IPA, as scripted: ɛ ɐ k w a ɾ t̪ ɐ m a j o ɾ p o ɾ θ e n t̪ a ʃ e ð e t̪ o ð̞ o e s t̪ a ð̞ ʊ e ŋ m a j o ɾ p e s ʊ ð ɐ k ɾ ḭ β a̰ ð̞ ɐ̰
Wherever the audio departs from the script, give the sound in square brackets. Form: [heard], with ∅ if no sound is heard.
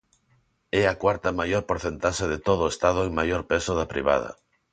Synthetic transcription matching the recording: ɛ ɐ k w a ɾ t̪ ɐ m a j o ɾ p o ɾ θ e n t̪ a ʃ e ð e t̪ o ð̞ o e s t̪ a ð̞ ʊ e ŋ m a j o ɾ p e s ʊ ð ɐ [p] ɾ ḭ β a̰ ð̞ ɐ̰